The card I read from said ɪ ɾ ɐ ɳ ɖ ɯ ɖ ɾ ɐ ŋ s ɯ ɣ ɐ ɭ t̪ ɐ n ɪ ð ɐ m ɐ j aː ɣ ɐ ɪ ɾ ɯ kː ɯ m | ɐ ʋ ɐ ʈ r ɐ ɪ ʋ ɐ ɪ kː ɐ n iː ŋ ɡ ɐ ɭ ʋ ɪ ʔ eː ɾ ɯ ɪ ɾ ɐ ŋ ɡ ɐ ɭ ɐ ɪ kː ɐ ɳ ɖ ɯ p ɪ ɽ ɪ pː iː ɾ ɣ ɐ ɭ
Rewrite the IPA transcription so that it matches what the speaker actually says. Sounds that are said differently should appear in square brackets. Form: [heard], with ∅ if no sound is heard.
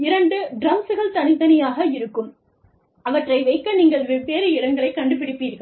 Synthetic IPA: ɪ ɾ ɐ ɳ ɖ ɯ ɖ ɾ ɐ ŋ s ɯ ɣ ɐ ɭ t̪ ɐ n ɪ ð ɐ [n] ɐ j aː ɣ ɐ ɪ ɾ ɯ kː ɯ m | ɐ ʋ ɐ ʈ r ɐ ɪ ʋ ɐ ɪ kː ɐ n iː ŋ ɡ ɐ ɭ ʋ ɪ [p] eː ɾ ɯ ɪ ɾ ɐ ŋ ɡ ɐ ɭ ɐ ɪ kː ɐ ɳ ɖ ɯ p ɪ ɽ ɪ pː iː ɾ ɣ ɐ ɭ